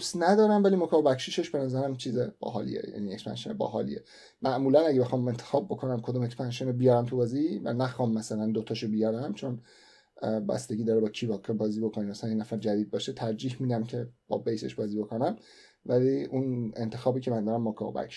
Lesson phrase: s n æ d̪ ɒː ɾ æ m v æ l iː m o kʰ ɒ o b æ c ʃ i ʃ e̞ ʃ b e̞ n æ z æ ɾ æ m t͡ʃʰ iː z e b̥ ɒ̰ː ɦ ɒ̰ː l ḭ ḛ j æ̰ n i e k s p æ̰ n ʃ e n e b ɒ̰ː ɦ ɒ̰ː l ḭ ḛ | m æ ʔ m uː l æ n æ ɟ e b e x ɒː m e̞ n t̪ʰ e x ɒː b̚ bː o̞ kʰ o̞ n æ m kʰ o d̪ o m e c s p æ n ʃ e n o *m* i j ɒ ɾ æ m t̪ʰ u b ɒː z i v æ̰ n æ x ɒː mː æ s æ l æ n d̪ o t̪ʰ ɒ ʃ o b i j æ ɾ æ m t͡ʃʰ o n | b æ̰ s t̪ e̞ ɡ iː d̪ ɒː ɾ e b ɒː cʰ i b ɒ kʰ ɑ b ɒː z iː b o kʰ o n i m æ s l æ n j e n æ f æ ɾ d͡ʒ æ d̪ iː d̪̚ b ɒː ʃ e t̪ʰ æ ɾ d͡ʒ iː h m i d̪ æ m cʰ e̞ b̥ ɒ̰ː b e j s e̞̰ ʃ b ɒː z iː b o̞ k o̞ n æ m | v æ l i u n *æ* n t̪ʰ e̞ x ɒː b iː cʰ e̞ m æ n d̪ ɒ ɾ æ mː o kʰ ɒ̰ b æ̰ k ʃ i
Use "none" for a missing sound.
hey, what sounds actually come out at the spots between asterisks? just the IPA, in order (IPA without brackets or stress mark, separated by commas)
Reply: b, e